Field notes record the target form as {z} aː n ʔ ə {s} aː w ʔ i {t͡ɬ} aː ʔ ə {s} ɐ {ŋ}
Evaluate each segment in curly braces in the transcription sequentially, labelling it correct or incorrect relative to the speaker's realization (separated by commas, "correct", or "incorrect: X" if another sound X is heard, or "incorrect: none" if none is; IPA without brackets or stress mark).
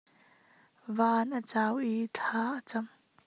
incorrect: v, incorrect: t͡s, incorrect: t͡ɬʰ, incorrect: t͡s, incorrect: m